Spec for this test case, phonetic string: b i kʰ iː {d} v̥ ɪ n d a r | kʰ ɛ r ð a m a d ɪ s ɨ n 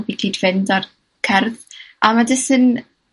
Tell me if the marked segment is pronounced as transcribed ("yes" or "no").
yes